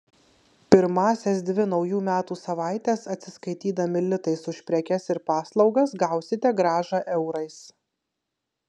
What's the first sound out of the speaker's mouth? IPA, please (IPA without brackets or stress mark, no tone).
pʲ